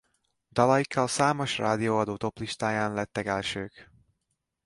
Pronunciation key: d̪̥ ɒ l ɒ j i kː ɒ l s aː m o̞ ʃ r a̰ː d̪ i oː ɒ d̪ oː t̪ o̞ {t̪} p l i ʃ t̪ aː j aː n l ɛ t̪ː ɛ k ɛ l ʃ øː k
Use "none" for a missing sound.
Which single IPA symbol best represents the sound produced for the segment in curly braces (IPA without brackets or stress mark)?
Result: none